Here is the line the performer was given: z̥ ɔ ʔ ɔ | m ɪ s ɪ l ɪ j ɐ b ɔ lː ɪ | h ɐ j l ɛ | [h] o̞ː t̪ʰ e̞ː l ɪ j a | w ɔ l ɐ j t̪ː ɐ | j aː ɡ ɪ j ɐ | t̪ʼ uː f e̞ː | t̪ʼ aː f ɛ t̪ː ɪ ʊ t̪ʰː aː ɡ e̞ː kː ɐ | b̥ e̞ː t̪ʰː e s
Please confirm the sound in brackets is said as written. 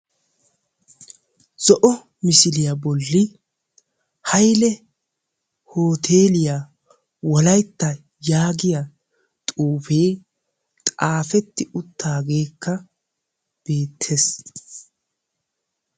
yes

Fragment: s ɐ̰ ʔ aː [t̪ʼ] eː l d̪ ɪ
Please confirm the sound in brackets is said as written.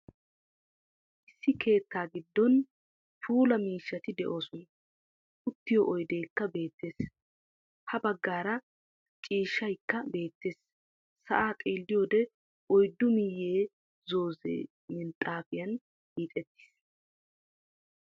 yes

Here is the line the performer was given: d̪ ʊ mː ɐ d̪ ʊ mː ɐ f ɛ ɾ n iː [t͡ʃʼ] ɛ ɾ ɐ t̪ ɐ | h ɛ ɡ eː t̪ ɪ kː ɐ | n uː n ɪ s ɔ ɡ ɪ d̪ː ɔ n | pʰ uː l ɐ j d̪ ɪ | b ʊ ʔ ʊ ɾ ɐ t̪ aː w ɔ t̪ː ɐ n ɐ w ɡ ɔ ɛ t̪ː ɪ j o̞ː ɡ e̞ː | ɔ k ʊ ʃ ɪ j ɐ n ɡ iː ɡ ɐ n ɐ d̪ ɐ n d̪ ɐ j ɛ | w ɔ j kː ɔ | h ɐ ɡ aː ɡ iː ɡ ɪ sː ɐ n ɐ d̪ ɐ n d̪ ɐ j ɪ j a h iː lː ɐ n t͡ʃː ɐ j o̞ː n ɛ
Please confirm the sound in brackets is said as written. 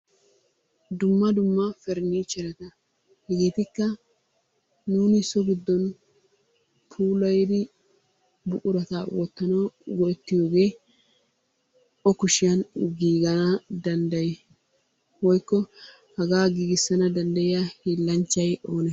no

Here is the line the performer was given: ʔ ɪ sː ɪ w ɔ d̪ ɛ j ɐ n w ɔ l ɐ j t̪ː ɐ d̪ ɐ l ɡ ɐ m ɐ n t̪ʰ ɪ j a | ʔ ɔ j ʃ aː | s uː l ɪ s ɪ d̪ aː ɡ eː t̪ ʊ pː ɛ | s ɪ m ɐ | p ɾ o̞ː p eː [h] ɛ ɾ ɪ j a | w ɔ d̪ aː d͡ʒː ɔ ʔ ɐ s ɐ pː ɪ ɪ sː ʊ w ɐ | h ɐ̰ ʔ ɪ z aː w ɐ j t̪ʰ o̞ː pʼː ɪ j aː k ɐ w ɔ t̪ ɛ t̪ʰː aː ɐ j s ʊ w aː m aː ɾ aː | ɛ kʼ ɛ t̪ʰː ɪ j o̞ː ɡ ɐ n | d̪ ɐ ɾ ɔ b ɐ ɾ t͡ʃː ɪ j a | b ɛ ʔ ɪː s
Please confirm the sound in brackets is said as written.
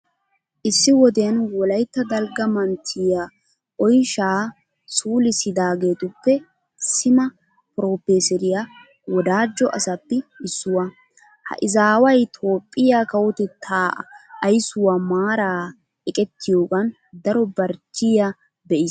no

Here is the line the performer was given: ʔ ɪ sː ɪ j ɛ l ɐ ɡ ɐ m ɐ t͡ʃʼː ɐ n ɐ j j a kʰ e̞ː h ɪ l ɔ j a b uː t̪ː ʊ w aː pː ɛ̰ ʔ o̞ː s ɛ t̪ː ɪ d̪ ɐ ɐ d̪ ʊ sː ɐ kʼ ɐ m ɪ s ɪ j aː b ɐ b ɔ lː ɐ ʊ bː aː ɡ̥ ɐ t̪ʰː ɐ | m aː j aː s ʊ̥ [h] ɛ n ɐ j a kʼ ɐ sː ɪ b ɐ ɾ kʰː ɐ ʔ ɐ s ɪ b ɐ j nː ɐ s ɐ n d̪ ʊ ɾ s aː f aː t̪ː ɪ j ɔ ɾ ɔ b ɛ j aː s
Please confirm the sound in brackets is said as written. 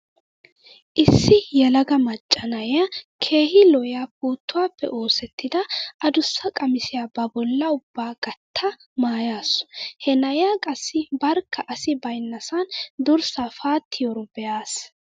yes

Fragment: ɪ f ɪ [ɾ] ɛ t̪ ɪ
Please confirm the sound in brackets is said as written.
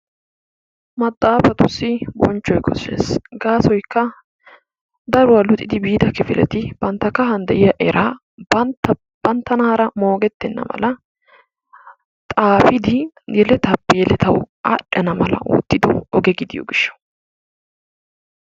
no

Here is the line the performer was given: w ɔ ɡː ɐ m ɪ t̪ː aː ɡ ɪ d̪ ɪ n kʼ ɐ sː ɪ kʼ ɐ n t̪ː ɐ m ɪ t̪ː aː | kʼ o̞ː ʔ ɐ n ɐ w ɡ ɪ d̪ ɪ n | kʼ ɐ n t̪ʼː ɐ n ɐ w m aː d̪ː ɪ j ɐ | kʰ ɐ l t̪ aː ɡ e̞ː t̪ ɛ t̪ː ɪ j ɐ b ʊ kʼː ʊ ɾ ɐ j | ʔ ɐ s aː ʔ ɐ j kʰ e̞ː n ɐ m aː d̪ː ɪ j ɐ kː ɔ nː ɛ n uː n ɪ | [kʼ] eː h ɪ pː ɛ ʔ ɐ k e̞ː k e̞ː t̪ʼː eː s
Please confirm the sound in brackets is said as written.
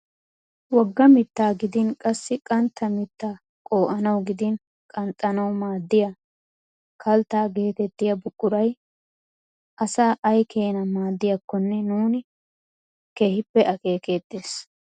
no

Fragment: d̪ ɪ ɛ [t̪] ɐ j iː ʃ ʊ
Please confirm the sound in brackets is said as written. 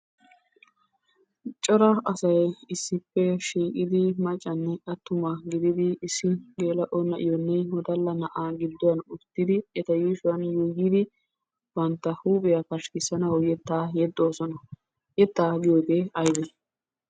yes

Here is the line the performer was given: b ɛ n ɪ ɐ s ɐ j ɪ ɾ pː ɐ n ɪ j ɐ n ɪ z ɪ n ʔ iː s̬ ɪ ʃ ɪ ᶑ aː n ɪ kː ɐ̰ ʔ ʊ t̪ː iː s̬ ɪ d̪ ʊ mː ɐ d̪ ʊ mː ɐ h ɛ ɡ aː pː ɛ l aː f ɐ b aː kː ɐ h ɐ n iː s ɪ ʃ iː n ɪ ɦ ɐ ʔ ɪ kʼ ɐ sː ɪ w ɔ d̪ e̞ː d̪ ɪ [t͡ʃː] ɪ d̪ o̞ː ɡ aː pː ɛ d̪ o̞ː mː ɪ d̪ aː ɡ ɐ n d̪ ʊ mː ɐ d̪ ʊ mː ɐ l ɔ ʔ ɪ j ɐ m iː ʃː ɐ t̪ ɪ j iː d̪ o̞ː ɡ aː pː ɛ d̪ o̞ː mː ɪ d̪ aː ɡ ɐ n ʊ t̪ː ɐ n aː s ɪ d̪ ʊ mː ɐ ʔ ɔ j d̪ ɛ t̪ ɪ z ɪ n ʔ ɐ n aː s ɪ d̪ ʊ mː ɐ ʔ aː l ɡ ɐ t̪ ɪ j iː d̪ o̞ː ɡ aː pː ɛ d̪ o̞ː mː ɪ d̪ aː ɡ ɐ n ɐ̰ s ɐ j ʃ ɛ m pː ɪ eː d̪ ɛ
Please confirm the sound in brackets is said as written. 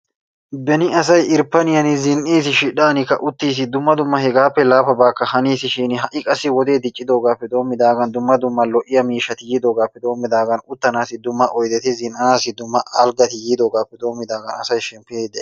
no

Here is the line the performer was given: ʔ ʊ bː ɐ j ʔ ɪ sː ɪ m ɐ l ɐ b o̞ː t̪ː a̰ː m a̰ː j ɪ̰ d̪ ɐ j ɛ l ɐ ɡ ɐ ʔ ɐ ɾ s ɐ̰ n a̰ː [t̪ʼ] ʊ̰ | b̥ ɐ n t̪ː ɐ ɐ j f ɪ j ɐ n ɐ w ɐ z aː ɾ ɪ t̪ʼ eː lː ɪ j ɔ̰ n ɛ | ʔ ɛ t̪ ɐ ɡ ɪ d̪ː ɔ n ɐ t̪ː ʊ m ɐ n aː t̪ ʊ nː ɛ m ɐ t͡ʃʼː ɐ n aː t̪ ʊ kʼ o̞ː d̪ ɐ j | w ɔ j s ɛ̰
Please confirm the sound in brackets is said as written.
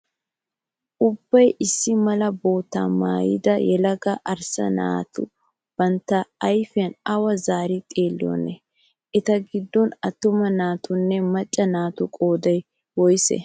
no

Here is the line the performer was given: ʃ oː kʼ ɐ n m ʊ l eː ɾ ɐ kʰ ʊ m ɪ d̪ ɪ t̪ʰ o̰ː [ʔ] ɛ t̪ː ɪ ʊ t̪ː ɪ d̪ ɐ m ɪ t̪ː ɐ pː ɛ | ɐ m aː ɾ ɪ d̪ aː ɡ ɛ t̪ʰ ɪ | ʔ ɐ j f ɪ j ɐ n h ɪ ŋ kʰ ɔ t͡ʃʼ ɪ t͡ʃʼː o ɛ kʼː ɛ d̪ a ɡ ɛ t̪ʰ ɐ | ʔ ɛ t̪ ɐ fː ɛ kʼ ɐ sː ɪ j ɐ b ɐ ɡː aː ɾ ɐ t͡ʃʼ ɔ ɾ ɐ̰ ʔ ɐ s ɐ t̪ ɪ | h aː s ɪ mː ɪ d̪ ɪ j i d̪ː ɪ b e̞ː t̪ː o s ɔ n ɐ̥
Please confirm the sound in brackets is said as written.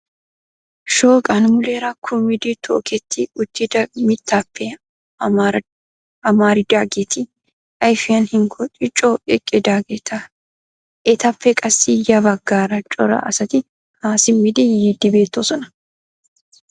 no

